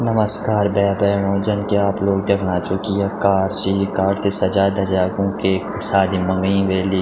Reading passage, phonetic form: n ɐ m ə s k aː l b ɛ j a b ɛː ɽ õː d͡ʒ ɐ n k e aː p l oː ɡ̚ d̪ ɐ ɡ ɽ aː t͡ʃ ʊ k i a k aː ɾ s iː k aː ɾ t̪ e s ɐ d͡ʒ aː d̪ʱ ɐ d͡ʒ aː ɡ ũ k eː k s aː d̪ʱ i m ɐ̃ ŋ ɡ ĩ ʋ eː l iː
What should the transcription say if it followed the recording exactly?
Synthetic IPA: n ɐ m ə s k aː ɾ b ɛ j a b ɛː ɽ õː d͡ʒ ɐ n k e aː p l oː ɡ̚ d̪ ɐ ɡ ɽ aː t͡ʃ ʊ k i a k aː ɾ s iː k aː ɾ t̪ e s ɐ d͡ʒ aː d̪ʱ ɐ d͡ʒ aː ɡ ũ k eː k s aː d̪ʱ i m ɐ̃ ŋ ɡ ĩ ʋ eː l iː

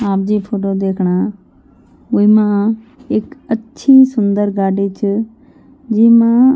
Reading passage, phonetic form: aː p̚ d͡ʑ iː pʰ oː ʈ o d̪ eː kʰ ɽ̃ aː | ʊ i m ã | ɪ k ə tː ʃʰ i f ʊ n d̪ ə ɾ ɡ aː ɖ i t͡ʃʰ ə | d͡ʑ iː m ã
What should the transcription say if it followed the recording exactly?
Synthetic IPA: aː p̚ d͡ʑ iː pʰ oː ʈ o d̪ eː kʰ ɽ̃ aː | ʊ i m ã | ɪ k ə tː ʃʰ i s ʊ n d̪ ə ɾ ɡ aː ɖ i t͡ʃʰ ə | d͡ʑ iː m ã

